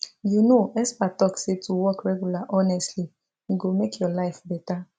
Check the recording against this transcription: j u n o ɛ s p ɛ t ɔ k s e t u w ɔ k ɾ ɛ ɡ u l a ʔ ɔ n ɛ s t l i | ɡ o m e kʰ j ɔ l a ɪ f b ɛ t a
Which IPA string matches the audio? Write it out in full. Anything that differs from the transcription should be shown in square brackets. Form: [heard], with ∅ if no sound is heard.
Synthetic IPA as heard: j u n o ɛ s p [a] t ɔ k s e t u w ɔ k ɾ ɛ ɡ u l a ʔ ɔ n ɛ s t l i | ɡ o m e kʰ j ɔ l a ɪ f b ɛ t a